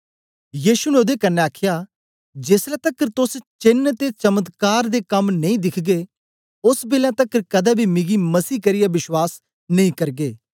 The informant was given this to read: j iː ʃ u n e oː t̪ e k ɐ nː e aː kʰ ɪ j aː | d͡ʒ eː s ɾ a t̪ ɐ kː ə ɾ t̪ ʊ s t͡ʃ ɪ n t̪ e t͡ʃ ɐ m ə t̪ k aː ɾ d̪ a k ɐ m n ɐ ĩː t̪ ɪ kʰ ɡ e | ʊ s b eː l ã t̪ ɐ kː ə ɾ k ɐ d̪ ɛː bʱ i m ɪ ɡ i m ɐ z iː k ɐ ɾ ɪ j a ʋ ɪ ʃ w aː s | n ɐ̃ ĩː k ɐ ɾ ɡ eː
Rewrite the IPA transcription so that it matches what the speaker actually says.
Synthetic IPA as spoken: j iː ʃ u n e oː d̪ e k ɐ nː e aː kʰ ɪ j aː | d͡ʒ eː s ɾ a t̪ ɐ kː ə ɾ t̪ ʊ s t͡ʃ ɪ n t̪ e t͡ʃ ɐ m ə t̪ k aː ɾ d̪ e k ɐ m n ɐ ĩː d̪ ɪ kʰ ɡ e | ʊ s b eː l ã t̪ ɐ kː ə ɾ k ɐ d̪ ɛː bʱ i m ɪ ɡ i m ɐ s iː k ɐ ɾ ɪ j a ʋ ɪ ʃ w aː s | n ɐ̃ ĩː k ɐ ɾ ɡ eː

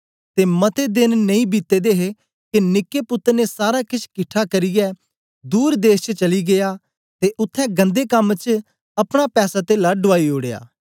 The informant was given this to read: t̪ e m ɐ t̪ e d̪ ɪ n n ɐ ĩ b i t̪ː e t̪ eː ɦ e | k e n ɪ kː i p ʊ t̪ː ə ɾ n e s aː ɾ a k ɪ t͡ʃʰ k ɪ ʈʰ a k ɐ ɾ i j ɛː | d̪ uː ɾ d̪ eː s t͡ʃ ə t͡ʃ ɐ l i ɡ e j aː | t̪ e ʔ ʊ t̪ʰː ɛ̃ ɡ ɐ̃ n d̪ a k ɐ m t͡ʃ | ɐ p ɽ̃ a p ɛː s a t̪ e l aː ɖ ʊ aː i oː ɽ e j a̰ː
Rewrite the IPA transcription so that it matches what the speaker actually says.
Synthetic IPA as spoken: t̪ e m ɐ t̪ e d̪ ɪ n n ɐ ĩ b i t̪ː e d̪ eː ɦ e | k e n ɪ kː e p ʊ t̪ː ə ɾ n e s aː ɾ a k ɪ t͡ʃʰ k ɪ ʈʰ a k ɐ ɾ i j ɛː | d̪ uː ɾ d̪ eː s t͡ʃ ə t͡ʃ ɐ l i ɡ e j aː | t̪ e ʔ ʊ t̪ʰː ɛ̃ ɡ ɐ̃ n d̪ e k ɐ m t͡ʃ | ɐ p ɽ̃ a p ɛː s a t̪ e l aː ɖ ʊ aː i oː ɽ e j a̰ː

